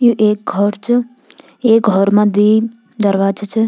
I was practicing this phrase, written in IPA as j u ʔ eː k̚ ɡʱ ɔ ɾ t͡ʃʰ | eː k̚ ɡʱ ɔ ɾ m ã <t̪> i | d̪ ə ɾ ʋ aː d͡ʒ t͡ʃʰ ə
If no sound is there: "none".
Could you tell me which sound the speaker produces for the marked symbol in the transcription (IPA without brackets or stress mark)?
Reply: d̪